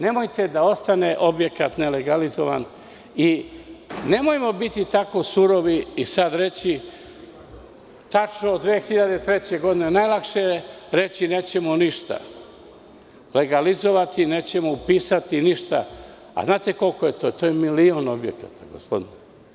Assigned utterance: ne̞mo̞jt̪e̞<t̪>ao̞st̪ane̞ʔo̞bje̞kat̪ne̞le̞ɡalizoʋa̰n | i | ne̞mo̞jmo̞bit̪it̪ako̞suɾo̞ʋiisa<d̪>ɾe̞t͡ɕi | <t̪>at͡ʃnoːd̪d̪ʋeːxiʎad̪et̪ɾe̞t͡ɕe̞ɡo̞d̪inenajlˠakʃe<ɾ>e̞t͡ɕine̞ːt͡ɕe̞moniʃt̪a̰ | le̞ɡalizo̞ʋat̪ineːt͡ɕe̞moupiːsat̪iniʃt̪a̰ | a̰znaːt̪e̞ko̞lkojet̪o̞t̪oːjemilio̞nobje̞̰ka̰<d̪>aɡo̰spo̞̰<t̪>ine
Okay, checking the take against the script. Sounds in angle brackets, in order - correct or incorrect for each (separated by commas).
incorrect, correct, correct, correct, incorrect, incorrect